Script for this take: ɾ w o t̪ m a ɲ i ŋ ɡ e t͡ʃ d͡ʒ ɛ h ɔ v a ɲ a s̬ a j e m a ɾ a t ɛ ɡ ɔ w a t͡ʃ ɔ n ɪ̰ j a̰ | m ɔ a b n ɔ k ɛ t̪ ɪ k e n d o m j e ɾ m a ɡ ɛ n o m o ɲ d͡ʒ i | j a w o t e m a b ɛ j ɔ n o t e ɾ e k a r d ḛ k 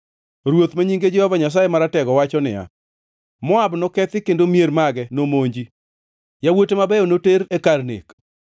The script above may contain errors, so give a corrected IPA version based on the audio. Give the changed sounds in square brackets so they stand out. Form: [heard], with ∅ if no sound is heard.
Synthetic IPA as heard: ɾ w o t̪ m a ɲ i ŋ ɡ e [∅] d͡ʒ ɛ h ɔ v a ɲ a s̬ a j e m a ɾ a t ɛ ɡ ɔ w a t͡ʃ ɔ n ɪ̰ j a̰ | m ɔ a b n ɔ k ɛ t̪ ɪ k e n d o m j e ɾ m a ɡ ɛ n o m o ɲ d͡ʒ i | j a w o t e m a b ɛ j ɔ n o t e ɾ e k a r [n] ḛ k